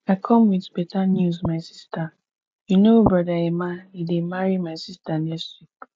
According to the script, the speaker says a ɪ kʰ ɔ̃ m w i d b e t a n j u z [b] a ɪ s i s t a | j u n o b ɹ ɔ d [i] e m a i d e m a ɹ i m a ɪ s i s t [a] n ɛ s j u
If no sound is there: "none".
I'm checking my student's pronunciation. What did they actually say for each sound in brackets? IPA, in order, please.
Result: m, a, a

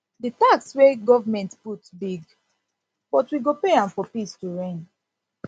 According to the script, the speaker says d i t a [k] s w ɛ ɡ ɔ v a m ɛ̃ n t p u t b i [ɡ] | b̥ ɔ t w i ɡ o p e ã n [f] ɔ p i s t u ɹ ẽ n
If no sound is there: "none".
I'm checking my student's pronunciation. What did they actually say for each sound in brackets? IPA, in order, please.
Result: k, ɡ, f

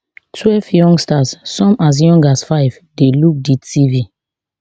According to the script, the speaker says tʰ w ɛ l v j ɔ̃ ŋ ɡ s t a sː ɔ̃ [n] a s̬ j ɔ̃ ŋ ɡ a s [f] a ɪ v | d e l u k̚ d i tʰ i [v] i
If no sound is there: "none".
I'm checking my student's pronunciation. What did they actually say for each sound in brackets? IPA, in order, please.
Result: m, f, v

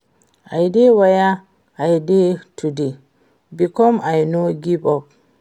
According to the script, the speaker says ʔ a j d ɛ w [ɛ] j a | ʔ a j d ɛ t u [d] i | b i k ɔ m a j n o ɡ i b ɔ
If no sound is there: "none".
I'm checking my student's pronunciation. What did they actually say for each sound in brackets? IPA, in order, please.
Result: a, d

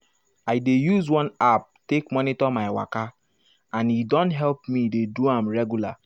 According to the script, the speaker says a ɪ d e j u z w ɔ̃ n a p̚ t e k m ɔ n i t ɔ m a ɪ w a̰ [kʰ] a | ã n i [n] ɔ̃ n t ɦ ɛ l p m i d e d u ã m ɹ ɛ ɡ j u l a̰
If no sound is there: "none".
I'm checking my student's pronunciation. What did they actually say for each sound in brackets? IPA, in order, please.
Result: k, d

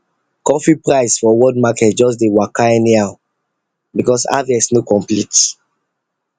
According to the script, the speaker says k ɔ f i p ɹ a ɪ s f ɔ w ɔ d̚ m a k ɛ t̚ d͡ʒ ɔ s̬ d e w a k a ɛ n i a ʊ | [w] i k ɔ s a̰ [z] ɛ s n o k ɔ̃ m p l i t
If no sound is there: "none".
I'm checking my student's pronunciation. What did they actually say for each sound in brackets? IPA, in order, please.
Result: b, v

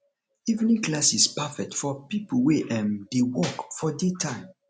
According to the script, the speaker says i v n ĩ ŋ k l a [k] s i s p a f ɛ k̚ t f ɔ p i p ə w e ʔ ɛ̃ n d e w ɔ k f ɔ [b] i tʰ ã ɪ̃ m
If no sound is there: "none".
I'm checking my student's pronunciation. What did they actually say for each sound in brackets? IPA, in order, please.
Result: none, d

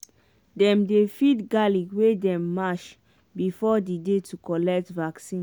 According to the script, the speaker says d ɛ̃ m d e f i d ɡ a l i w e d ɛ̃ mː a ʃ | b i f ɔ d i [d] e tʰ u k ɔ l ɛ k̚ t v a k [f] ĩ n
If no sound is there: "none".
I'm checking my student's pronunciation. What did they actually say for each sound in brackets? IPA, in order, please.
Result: d, s

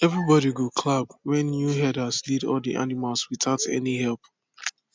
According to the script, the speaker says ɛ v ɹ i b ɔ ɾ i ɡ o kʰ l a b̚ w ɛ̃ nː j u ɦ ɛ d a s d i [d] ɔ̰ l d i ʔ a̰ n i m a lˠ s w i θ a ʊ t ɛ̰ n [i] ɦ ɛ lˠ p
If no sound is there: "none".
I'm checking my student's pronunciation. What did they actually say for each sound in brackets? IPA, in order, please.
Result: d, i

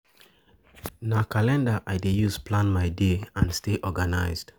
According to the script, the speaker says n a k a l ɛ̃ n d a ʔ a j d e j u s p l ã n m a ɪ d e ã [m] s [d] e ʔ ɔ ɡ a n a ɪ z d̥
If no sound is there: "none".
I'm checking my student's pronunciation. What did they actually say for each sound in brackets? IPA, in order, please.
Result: n, t

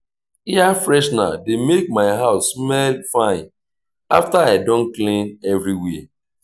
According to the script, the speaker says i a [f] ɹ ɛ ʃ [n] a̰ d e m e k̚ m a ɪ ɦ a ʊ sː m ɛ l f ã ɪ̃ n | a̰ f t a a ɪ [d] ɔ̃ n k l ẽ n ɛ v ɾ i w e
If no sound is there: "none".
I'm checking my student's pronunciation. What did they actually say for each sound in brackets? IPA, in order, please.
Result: f, n, d

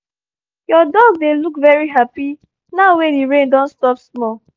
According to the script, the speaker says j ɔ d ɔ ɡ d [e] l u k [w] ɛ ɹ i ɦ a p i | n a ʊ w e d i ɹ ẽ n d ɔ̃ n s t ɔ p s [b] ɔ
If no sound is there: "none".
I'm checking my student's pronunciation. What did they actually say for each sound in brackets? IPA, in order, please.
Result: e, v, m

